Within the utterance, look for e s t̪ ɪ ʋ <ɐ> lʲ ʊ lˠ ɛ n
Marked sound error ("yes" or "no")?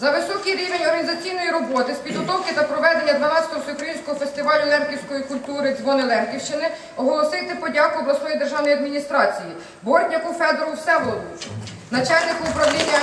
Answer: yes